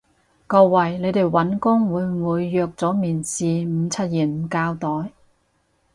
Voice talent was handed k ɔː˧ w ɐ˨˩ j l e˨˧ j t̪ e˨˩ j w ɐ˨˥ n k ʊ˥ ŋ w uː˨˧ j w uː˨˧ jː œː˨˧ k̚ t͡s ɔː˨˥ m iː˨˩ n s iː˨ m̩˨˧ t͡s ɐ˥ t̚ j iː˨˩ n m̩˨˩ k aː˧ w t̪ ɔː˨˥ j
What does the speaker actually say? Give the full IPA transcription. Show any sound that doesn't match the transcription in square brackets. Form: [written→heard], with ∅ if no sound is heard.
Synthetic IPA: k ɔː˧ w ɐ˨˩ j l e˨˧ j t̪ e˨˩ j w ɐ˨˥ n k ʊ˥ ŋ w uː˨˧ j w uː˨˧ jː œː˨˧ k̚ t͡s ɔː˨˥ m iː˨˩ n s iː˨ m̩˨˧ [t͡s→t͡sʰ] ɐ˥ t̚ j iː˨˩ n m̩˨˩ k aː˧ w t̪ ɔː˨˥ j